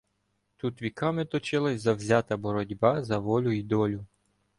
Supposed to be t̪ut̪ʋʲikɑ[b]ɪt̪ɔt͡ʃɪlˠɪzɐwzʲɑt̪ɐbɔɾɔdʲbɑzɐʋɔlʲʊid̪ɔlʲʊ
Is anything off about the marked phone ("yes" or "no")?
yes